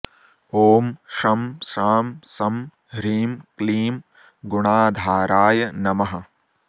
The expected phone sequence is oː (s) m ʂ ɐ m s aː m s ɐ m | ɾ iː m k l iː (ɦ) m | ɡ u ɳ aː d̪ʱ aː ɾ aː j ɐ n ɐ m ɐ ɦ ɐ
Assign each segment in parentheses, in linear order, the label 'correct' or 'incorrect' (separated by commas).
incorrect, incorrect